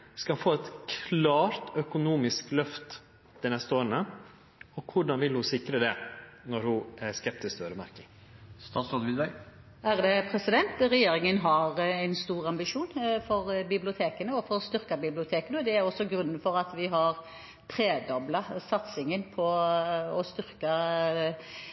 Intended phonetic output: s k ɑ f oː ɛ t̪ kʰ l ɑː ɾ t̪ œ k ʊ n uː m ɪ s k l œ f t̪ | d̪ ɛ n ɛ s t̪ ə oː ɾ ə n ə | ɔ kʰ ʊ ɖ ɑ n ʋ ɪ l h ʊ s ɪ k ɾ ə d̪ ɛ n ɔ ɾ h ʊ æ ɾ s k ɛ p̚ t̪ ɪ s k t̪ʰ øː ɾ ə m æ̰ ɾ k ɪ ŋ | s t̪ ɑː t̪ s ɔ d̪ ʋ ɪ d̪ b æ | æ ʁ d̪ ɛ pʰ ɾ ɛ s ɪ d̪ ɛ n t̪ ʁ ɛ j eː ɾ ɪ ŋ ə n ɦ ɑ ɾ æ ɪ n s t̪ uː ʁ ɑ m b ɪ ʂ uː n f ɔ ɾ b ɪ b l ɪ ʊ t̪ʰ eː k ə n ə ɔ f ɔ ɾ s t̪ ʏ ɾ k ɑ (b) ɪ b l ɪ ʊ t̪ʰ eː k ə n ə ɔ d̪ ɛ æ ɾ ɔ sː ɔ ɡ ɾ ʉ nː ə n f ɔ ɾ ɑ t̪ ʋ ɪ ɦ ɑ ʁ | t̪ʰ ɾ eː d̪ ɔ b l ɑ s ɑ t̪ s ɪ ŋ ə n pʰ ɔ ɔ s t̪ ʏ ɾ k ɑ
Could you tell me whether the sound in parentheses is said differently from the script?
no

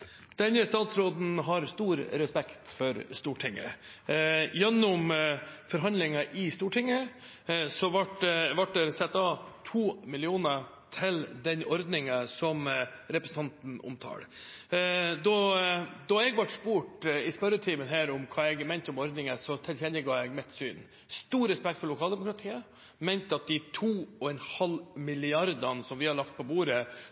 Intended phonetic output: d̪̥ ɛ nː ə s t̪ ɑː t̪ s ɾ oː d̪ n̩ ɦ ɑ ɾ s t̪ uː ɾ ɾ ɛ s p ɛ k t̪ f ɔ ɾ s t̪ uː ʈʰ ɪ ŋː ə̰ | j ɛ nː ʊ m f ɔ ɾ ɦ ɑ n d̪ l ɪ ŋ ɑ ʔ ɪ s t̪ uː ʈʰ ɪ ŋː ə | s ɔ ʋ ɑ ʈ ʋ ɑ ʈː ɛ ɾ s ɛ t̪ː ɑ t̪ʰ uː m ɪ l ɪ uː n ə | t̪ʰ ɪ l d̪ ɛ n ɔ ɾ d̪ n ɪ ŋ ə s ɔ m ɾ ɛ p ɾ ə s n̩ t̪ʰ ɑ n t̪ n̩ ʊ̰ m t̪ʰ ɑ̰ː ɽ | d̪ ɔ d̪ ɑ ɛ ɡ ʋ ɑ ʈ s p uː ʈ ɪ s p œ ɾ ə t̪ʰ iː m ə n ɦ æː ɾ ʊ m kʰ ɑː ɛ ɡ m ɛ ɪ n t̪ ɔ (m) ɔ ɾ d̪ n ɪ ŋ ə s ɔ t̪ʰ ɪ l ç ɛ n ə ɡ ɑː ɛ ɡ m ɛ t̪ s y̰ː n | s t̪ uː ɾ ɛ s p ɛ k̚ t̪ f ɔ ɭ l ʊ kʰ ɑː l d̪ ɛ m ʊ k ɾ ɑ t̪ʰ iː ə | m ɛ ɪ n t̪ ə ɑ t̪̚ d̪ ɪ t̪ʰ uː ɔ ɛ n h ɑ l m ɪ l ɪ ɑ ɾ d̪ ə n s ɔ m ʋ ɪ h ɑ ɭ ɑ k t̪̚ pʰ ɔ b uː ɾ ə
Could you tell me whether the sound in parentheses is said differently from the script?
no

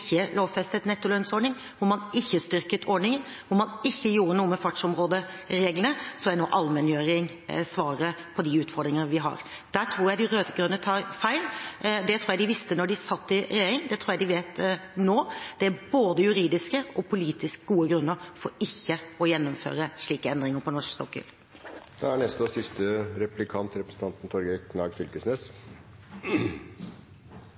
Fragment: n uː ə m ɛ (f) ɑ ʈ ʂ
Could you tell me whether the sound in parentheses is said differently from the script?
no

